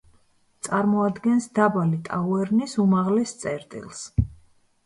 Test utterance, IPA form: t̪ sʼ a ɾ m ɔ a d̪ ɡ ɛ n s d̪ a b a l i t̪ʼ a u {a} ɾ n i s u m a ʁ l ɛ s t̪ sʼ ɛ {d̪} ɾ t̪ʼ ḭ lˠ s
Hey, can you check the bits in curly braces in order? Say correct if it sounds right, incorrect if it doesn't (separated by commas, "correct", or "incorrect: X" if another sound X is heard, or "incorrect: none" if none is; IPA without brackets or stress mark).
incorrect: ɛ, incorrect: none